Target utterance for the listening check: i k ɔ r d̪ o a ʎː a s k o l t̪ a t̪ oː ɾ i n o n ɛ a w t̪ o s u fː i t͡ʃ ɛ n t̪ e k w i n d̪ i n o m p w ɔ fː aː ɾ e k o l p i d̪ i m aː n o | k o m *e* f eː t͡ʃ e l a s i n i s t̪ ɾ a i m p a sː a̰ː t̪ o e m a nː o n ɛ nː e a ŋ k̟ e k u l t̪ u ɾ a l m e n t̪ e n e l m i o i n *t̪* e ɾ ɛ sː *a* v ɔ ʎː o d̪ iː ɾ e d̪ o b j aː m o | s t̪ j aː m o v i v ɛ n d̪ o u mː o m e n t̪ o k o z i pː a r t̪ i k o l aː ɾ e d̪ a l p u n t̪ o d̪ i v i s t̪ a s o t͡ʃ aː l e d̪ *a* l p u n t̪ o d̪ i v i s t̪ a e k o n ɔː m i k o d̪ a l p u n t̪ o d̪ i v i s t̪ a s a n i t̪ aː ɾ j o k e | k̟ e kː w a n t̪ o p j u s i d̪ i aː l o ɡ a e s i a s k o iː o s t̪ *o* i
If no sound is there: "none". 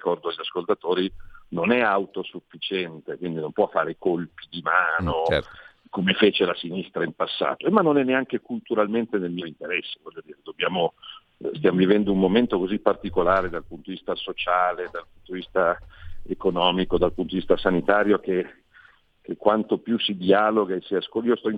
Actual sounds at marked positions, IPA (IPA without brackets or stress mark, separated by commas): e, t̪, e, a, ɔ